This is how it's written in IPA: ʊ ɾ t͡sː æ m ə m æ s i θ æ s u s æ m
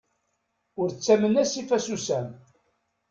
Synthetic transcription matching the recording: ʊ ɾ t͡sː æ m ə n æ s i f æ s u s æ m